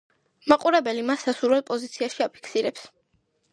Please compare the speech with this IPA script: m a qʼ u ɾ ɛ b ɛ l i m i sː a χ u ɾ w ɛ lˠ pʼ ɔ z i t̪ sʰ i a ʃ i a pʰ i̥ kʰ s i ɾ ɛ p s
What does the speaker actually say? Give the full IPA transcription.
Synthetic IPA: m a qʼ u ɾ ɛ b ɛ l i m a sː a s u ɾ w ɛ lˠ pʼ ɔ z i t̪ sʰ i a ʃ i a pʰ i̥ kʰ s i ɾ ɛ p s